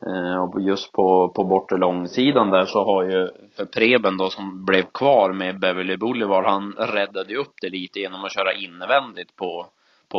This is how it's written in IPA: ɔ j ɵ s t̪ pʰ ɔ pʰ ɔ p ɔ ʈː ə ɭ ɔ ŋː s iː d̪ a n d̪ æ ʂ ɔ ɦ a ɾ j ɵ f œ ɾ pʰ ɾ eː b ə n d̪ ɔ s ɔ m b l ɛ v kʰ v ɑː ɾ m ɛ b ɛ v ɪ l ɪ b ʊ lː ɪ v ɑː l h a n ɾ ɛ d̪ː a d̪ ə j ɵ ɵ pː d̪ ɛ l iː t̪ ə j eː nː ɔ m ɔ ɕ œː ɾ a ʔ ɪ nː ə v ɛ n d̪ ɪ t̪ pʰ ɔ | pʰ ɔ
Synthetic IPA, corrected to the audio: ɔ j ɵ s t̪ pʰ ɔ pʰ ɔ b ɔ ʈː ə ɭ ɔ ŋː s iː d̪ a n d̪ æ ʂ ɔ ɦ a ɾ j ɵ f œ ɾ pʰ ɾ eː b ə n d̪ ɔ s ɔ m b l ɛ v kʰ v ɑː ɾ m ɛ b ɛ v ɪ l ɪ b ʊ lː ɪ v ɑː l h a n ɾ ɛ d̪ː a d̪ ə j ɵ ɵ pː d̪ ɛ l iː t̪ ə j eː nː ɔ m ɔ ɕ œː ɾ a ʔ ɪ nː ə v ɛ n d̪ ɪ t̪ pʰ ɔ | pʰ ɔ